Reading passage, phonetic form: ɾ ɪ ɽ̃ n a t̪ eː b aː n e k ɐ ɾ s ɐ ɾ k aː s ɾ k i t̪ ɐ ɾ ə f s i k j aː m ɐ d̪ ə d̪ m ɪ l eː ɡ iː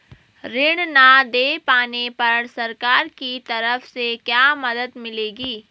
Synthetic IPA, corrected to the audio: ɾ ɪ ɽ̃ n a d̪ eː p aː n e p ɐ ɾ s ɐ ɾ k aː ɾ k i t̪ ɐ ɾ ə f s e k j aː m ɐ d̪ ə d̪ m ɪ l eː ɡ iː